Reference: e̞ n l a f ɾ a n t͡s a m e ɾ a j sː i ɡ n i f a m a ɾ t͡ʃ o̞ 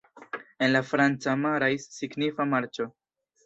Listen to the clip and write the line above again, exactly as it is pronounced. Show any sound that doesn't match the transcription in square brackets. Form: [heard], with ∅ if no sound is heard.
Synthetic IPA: e̞ n l a f ɾ a n t͡s a m [a] ɾ a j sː i ɡ n i f a m a ɾ t͡ʃ o̞

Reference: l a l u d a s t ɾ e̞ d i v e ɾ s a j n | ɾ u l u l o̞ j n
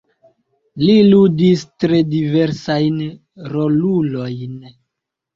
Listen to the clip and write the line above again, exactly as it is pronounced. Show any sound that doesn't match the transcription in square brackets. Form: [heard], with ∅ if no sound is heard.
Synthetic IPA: l [i] l u d [i] s t ɾ e̞ d i v e ɾ s a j n | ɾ [o] l u l o̞ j n

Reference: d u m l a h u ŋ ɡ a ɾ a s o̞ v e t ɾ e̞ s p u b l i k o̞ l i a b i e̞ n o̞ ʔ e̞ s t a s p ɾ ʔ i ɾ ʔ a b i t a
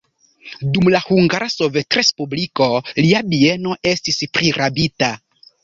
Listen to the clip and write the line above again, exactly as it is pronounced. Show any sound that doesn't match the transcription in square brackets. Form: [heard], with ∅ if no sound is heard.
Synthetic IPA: d u m l a h u ŋ ɡ a ɾ a s o̞ v e t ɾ e̞ s p u b l i k o̞ l i a b i e̞ n o̞ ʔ e̞ s t [i] s p ɾ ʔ i ɾ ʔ a b i t a

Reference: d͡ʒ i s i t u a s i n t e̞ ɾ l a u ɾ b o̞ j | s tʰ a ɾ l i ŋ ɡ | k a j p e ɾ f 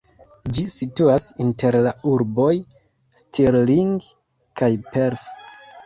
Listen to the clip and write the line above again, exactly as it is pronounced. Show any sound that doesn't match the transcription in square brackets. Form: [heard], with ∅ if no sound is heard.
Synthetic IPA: d͡ʒ i s i t u a s i n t e̞ ɾ l a u ɾ b o̞ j | s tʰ [i] ɾ l i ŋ ɡ | k a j p e ɾ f

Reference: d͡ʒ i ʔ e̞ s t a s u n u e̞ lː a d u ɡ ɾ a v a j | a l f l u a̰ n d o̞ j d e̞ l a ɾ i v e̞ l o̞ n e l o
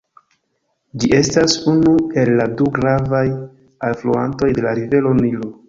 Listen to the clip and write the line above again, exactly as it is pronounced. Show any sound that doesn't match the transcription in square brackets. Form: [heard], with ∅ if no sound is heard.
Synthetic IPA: d͡ʒ i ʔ e̞ s t a s u n u e̞ lː a d u ɡ ɾ a v a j | a l f l u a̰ n [t] o̞ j d e̞ l a ɾ i v e̞ l o̞ n [i] l o

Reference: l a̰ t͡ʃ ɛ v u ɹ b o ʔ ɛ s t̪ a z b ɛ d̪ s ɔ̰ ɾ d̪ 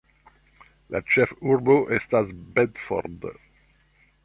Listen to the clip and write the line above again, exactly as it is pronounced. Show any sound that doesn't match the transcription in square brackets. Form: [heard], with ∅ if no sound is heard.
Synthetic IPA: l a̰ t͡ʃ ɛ [f] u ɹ b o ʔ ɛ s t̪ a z b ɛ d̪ [f] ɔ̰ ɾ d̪

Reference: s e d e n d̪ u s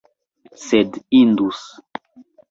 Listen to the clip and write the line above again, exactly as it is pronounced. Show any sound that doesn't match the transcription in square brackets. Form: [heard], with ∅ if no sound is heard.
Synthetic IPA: s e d [i] n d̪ u s

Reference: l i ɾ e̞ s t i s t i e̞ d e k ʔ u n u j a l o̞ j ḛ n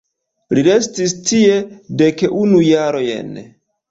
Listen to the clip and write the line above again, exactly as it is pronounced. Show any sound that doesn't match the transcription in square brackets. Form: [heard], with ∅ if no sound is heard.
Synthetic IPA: l i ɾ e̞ s t i s t i e̞ d e k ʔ u n u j a [ɾ] o̞ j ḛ n

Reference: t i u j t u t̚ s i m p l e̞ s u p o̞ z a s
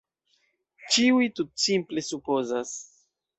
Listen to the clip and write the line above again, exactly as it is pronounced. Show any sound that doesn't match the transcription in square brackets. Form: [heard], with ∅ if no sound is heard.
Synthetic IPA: [t͡ʃ] i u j t u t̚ s i m p l e̞ s u p o̞ z a s

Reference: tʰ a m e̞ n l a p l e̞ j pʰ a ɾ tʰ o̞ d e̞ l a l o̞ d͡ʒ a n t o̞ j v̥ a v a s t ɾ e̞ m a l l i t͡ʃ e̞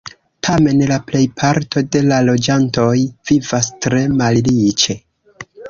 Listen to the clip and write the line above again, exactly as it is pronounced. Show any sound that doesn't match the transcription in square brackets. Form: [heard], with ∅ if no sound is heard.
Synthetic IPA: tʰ a m e̞ n l a p l e̞ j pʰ a ɾ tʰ o̞ d e̞ l a l o̞ d͡ʒ a n t o̞ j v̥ [i] v a s t ɾ e̞ m a l l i t͡ʃ e̞

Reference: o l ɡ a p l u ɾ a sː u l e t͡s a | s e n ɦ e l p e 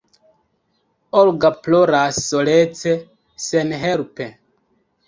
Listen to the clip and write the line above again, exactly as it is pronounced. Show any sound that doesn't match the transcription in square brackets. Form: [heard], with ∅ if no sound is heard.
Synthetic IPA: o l ɡ a p l [o] ɾ a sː [o] l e t͡s [e] | s e n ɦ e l p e

